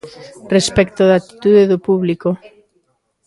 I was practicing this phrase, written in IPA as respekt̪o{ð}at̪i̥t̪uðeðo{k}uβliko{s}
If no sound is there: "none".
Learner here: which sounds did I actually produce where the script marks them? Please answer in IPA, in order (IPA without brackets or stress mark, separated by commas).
ð, p, none